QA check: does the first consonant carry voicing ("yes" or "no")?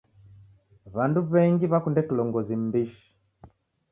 yes